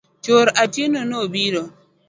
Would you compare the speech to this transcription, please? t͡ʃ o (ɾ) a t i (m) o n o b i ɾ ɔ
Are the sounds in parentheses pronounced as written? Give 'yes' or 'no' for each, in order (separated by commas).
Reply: yes, no